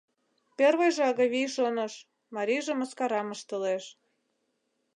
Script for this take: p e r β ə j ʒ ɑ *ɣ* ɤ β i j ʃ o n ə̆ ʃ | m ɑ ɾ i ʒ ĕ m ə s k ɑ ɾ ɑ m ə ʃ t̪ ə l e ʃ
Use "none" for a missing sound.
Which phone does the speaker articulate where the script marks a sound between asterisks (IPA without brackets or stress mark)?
ɣ